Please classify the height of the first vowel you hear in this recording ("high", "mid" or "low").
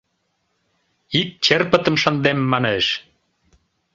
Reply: high